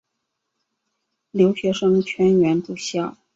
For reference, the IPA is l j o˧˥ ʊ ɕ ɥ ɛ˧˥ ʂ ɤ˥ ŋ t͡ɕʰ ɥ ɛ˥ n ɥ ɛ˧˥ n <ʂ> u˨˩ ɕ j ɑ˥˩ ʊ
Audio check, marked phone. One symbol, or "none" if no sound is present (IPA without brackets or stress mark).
ʈ͡ʂ